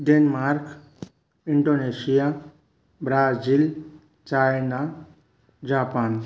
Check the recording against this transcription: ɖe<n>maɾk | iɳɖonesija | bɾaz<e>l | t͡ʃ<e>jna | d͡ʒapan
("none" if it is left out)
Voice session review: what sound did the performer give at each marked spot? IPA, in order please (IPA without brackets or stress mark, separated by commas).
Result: n, i, a